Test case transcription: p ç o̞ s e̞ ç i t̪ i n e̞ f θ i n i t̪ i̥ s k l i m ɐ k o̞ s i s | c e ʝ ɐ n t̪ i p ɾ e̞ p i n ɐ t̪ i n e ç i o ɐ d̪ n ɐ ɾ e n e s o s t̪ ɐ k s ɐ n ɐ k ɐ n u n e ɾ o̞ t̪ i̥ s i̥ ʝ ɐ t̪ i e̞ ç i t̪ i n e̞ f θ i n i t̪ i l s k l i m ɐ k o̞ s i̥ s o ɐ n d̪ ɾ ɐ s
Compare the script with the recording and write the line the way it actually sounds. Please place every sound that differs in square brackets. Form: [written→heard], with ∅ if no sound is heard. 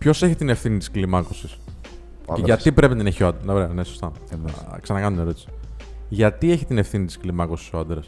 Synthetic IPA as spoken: p ç o̞ s e̞ ç i t̪ i n e̞ f θ i n i t̪ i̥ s k l i m ɐ k o̞ s i s | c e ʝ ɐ [n→∅] t̪ i p ɾ e̞ p i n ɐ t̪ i n e ç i o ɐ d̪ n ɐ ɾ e n e s o s t̪ ɐ k s ɐ n ɐ k ɐ n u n e ɾ o̞ t̪ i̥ s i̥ ʝ ɐ t̪ i e̞ ç i t̪ i n e̞ f θ i n i t̪ i [l→∅] s k l i m ɐ k o̞ s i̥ s o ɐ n d̪ ɾ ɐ s